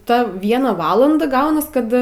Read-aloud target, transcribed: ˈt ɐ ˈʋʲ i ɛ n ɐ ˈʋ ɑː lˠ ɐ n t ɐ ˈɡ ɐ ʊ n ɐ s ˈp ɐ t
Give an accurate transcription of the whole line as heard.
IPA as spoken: ˈt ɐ ˈʋʲ i ɛ n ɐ ˈʋ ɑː lˠ ɐ n d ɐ ˈɡ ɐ ʊ n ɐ s ˈk ɐ t

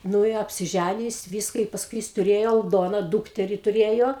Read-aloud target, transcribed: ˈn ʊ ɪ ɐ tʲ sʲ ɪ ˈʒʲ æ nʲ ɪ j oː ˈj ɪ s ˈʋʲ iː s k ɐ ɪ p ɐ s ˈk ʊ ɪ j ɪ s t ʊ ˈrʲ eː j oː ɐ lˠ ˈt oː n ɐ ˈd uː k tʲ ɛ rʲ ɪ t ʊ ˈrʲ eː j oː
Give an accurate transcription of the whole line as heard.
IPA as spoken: ˈn ʊ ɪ ɐ pʲ sʲ ɪ ˈʒʲ æ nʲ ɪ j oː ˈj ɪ s ˈʋʲ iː s k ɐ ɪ p ɐ s ˈk ʊ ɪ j ɪ s t ʊ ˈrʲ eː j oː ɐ lˠ ˈd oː n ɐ ˈd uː k tʲ ɛ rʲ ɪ t ʊ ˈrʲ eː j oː

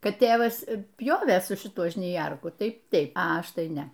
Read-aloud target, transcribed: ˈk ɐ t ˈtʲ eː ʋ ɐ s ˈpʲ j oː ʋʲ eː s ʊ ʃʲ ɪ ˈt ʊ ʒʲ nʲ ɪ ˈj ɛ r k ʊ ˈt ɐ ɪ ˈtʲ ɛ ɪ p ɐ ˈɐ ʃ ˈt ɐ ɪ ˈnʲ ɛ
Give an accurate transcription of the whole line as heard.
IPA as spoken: ˈk ɐ t ˈtʲ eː ʋ ɐ s ˈpʲ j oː ʋʲ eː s ʊ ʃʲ ɪ ˈt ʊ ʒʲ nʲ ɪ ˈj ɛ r k ʊ ˈt ɐ ɪ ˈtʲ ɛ ɪ p ɐ ˈɐ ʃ ˈt ɐ ɪ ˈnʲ ɛ

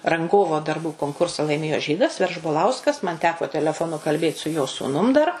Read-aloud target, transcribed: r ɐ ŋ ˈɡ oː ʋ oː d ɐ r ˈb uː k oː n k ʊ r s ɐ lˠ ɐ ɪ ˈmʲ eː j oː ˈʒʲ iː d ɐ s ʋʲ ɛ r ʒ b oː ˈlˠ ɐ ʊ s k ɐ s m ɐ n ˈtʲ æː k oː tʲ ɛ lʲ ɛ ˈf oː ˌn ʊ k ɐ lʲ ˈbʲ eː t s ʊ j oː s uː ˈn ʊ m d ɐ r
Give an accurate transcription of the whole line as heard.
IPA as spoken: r ɐ ŋ ˈɡ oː ʋ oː d ɐ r ˈb uː k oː ŋ k ʊ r s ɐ lˠ ɐ ɪ ˈmʲ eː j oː ˈʒʲ iː d ɐ s ʋʲ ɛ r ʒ b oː ˈlˠ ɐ ʊ s k ɐ s m ɐ n ˈtʲ æː k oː tʲ ɛ lʲ ɛ ˈf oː ˌn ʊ k ɐ lʲ ˈbʲ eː t s ʊ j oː s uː ˈn ʊ m d ɐ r

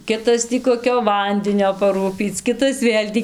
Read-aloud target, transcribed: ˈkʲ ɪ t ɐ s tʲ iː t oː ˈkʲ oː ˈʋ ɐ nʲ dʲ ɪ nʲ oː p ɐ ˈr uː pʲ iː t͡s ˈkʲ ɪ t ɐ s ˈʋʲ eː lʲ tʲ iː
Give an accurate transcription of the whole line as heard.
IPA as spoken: ˈkʲ ɪ t ɐ s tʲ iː k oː ˈkʲ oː ˈʋ ɐ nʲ dʲ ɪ nʲ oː p ɐ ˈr uː pʲ iː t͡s ˈkʲ ɪ t ɐ s ˈʋʲ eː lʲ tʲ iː

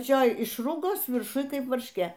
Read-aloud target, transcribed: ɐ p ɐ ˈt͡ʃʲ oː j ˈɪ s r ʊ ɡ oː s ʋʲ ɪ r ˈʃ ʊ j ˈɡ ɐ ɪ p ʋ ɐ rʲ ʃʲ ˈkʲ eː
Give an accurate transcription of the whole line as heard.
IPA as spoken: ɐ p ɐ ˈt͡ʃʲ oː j ˈɪ ʃ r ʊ ɡ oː s ʋʲ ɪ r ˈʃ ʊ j ˈk ɐ ɪ p ʋ ɐ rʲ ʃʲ ˈkʲ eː

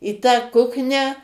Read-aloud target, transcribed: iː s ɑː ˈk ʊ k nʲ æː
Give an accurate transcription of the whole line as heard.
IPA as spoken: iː t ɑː ˈk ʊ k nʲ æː

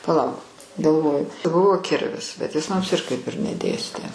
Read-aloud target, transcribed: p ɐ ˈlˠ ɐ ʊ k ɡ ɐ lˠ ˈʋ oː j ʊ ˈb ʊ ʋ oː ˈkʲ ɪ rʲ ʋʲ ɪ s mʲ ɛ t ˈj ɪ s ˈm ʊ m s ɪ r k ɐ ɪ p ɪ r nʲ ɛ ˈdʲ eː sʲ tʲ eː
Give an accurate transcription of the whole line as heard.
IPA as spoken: p ɐ ˈlˠ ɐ ʊ k ɡ ɐ lˠ ˈʋ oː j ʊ ˈb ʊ ʋ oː ˈkʲ ɪ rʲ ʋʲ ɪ s bʲ ɛ t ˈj ɪ s ˈm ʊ m s ɪ r k ɐ ɪ p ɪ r nʲ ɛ ˈdʲ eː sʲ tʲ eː

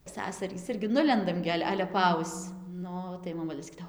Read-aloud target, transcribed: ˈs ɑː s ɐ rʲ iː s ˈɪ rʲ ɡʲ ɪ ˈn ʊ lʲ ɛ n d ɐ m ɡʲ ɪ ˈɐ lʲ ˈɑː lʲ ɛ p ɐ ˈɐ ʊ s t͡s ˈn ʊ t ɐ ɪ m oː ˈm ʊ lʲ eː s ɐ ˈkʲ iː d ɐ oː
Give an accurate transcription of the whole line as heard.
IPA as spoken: ˈs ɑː s ɐ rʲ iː s ˈɪ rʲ ɡʲ ɪ ˈn ʊ lʲ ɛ n d ɐ m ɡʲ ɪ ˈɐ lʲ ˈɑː lʲ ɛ p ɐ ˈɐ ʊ s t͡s ˈn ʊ t ɐ ɪ m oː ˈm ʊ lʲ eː s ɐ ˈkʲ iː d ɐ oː

